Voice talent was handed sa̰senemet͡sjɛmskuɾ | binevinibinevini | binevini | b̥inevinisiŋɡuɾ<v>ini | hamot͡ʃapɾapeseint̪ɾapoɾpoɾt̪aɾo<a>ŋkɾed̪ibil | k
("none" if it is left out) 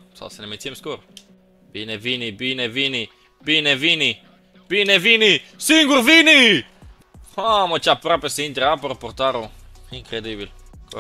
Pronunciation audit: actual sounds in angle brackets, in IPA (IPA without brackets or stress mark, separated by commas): v, i